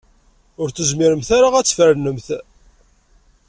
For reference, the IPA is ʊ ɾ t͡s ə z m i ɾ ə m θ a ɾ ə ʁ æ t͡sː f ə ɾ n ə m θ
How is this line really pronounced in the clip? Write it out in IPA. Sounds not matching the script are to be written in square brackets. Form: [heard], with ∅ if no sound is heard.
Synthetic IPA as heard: ʊ ɾ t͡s ə z m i ɾ ə m θ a ɾ [a] ʁ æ t͡sː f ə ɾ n ə m θ